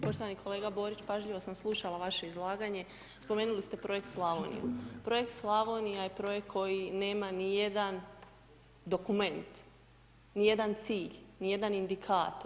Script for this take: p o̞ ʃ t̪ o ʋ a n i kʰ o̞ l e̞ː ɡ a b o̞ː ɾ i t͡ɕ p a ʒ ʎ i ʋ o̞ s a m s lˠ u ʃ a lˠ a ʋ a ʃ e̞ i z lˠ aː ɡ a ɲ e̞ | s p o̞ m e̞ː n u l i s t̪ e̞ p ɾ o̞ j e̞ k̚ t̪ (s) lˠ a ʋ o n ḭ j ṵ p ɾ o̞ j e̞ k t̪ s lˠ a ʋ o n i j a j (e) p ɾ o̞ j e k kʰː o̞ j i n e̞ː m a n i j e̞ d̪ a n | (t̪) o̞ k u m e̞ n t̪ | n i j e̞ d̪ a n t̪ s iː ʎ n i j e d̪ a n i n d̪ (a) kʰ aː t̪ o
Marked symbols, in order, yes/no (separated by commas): yes, yes, no, no